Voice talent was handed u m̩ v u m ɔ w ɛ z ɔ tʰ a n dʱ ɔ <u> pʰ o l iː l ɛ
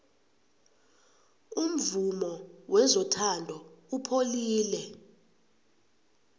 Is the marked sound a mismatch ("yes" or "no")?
no